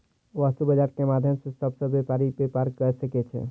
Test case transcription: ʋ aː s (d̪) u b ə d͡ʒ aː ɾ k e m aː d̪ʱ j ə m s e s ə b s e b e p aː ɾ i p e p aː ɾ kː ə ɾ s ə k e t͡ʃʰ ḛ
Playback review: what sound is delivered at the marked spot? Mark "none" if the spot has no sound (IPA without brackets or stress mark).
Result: t̪